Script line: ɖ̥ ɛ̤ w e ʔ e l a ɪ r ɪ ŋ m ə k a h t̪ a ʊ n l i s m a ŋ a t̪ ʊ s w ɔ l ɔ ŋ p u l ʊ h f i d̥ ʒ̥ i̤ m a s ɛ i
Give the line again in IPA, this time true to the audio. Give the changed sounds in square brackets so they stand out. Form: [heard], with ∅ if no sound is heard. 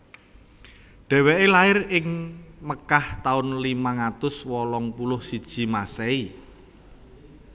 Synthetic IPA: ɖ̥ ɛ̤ w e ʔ e l a ɪ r ɪ ŋ m ə k a h t̪ a ʊ n l i [∅] m a ŋ a t̪ ʊ s w ɔ l ɔ ŋ p u l ʊ h [s] i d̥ ʒ̥ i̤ m a s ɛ i